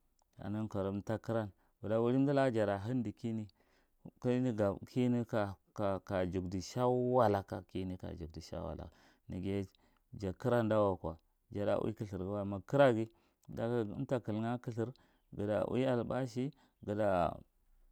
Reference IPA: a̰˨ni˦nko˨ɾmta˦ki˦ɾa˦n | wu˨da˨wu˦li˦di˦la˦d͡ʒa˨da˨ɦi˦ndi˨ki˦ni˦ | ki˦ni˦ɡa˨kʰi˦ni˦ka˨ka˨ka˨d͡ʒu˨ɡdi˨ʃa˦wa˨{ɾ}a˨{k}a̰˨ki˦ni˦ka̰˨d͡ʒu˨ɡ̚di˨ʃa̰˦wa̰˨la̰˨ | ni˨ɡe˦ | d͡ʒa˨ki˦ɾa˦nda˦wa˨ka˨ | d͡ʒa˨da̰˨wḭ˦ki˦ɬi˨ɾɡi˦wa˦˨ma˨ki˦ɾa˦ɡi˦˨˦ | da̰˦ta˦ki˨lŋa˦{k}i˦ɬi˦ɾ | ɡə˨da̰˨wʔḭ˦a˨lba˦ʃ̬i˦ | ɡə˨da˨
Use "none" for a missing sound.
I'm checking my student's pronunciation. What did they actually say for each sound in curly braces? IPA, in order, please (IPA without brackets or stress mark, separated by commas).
l, k, k